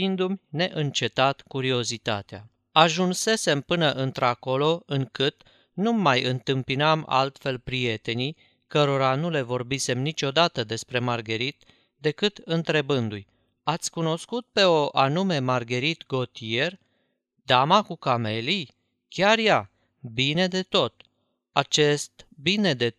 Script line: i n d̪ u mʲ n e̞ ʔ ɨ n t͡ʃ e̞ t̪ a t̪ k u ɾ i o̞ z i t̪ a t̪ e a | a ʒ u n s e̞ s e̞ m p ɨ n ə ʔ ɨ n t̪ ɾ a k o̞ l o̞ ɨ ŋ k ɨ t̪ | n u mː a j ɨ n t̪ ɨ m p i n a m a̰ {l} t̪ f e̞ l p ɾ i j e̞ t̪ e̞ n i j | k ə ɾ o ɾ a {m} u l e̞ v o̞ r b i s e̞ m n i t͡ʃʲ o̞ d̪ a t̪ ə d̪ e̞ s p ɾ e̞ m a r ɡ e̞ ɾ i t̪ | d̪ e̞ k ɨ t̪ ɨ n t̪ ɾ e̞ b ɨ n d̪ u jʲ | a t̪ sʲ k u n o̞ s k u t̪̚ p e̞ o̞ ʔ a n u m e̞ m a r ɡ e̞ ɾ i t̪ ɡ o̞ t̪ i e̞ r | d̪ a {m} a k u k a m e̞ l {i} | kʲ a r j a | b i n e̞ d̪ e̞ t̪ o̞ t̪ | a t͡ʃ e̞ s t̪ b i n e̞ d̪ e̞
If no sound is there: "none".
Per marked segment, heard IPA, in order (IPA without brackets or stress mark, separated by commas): l, n, m, i